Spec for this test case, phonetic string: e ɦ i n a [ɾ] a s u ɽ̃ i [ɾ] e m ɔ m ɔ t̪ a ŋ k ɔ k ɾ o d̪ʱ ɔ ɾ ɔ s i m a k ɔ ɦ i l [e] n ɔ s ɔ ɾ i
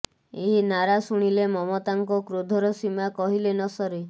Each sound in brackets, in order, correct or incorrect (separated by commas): correct, incorrect, correct